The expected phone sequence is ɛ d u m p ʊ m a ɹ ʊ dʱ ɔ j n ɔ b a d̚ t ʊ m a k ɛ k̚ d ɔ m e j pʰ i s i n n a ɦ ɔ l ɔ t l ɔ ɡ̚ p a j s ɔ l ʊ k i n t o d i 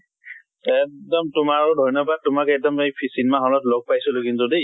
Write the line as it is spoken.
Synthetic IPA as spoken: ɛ d ɔ m t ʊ m a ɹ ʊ dʱ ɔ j n ɔ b a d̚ t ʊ m a k ɛ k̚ d ɔ m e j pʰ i s i n m a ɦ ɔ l ɔ t l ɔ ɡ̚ p a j s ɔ l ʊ k i n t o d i